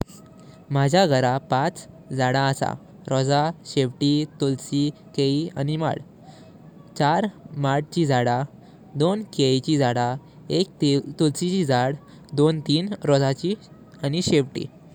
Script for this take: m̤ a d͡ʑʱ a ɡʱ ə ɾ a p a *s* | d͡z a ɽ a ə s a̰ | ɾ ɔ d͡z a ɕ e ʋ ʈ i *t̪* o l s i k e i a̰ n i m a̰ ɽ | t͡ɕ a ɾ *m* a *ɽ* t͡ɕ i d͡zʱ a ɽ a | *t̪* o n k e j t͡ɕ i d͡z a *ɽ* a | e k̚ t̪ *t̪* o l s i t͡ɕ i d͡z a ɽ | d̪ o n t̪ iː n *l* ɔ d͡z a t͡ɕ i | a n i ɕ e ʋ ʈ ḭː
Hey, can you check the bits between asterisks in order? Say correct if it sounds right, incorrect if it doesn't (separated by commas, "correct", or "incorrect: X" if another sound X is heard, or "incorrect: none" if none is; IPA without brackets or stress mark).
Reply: incorrect: t͡s, correct, correct, correct, incorrect: d̪, correct, correct, incorrect: ɾ